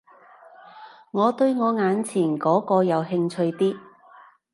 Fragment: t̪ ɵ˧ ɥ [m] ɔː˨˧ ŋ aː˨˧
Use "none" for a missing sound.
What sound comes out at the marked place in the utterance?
ŋ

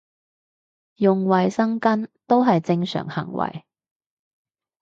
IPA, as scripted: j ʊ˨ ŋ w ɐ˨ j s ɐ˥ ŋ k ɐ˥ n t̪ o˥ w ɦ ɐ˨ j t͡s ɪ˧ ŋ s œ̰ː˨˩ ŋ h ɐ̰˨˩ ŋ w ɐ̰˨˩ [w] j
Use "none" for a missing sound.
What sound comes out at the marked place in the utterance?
none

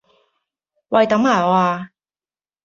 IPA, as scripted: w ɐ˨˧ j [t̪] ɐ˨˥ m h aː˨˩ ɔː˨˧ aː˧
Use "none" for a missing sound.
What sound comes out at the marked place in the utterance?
t̪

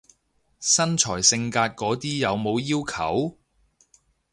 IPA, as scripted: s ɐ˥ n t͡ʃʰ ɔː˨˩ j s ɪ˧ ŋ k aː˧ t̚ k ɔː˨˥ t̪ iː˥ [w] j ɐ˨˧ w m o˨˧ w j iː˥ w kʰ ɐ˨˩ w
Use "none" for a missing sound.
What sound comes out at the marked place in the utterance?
none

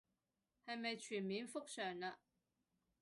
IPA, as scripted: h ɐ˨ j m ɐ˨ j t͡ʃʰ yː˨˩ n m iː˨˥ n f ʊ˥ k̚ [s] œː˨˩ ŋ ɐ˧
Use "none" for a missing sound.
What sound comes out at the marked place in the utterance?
s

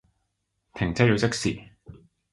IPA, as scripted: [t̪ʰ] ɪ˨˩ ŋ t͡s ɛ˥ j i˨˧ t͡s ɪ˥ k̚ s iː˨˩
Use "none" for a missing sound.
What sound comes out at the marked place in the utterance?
t̪ʰ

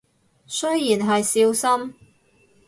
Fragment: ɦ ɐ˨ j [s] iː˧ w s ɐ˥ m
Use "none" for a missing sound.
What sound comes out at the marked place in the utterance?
s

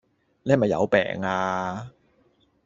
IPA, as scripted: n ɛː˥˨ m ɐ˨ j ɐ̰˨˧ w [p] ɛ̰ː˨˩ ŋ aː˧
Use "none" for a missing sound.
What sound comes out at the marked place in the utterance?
p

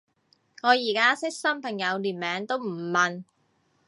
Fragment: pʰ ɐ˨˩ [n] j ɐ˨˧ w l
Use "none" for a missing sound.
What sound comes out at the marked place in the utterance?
ŋ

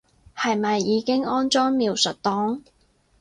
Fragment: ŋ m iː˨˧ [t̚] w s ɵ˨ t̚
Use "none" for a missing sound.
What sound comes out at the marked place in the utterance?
none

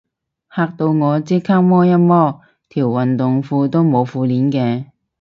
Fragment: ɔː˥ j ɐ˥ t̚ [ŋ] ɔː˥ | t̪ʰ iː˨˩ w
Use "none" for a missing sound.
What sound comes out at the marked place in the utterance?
m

